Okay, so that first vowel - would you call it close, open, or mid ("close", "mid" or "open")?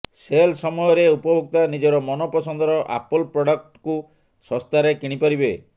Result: mid